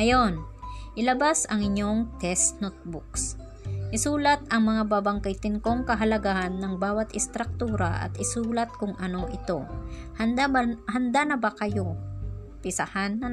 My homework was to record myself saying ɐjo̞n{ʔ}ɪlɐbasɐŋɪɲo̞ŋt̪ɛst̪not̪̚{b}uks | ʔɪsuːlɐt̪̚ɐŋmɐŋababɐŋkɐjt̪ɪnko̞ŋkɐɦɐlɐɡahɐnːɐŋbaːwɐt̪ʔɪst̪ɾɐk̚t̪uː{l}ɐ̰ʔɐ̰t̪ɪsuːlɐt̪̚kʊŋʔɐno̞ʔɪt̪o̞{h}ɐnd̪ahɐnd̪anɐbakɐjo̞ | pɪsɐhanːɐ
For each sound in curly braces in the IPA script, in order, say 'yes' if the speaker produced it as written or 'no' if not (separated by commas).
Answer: yes, yes, no, yes